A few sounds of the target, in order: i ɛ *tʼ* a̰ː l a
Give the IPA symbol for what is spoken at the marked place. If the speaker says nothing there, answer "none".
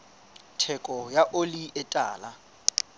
tʼ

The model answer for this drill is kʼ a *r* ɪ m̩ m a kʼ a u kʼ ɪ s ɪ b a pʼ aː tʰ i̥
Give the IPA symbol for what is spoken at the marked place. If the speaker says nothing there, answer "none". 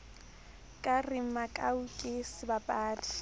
r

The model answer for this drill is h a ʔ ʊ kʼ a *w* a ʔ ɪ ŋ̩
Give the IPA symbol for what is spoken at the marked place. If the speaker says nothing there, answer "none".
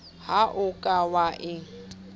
w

